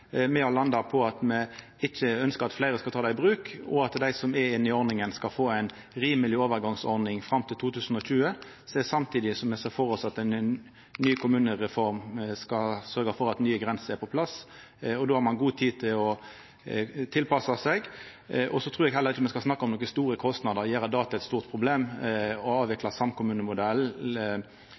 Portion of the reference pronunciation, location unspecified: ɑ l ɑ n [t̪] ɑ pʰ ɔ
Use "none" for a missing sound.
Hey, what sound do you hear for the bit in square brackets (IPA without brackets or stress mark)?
d̪